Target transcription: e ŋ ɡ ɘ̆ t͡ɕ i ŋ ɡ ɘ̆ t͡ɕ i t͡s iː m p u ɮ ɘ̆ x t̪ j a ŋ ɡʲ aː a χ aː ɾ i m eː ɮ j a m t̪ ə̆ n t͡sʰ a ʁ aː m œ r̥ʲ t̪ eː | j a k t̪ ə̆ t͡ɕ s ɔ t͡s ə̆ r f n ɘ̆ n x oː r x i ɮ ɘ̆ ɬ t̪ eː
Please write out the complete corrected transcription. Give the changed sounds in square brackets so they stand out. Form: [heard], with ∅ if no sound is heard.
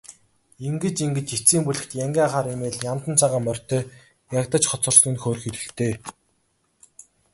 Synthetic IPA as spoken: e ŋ ɡ ɘ̆ t͡ɕ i ŋ ɡ ɘ̆ t͡ɕ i t͡s iː m p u ɮ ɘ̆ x t̪ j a ŋ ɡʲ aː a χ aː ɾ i m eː ɮ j a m t̪ ə̆ n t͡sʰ a ʁ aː m œ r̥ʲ t̪ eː | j a k t̪ ə̆ t͡ɕ [χ] ɔ t͡s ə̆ r [s] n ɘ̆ n x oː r x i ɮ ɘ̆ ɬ t̪ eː